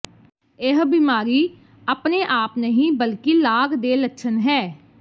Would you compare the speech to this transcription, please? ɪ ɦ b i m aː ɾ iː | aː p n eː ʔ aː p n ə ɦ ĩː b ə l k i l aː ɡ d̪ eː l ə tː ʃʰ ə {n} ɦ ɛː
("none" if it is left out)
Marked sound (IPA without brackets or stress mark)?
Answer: n